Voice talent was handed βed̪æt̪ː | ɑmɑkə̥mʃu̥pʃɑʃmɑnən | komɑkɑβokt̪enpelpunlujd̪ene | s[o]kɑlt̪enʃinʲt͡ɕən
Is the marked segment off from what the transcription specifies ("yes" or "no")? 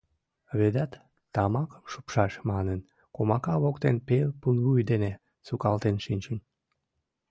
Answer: yes